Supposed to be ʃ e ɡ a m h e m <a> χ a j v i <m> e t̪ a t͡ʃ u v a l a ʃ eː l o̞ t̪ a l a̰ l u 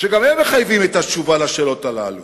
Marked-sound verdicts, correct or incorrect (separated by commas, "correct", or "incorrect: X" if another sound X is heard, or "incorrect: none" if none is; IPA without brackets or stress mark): incorrect: e, correct